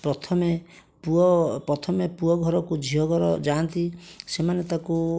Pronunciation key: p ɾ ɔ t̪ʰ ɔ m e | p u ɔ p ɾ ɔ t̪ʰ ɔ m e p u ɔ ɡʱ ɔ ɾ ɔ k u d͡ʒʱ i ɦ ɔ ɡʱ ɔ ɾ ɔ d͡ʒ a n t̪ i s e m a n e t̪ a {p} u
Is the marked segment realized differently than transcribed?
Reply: yes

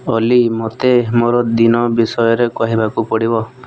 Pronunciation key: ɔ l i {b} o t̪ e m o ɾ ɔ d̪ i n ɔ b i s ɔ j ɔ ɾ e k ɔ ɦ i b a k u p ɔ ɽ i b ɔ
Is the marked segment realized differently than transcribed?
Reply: yes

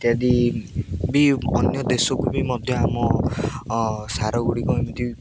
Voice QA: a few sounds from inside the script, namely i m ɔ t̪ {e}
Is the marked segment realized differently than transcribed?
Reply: yes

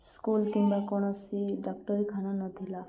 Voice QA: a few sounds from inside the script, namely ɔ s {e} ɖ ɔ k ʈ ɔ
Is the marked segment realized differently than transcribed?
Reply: yes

